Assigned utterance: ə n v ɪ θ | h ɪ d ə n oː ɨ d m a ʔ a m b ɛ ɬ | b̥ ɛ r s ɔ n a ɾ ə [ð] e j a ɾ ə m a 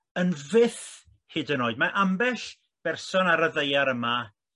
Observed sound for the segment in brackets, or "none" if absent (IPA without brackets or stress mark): ð